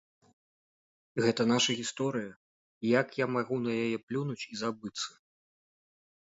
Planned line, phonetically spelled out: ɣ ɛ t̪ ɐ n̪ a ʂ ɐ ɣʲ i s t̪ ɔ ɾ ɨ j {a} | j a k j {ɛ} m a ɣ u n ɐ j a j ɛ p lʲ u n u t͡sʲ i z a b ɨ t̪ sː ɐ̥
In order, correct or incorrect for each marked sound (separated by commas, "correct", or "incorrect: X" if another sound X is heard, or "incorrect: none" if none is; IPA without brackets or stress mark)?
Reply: incorrect: ɐ, incorrect: a